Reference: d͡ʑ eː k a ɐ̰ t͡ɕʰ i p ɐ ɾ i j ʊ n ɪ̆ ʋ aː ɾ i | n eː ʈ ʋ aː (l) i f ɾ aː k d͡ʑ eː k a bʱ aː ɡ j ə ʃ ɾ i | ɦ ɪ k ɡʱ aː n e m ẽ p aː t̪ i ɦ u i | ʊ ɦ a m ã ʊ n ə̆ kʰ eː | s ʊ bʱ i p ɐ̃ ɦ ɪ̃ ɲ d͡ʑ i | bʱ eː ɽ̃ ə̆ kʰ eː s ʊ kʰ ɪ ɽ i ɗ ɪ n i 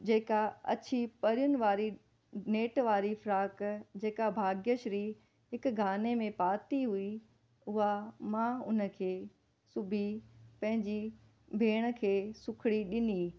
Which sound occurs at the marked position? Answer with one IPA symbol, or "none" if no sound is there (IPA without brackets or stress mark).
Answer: ɾ